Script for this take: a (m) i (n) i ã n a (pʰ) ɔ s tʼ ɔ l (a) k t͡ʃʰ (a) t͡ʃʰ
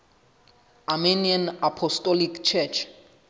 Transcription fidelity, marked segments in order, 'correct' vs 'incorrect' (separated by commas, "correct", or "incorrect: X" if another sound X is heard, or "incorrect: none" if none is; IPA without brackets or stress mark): correct, correct, correct, incorrect: i, incorrect: ɛ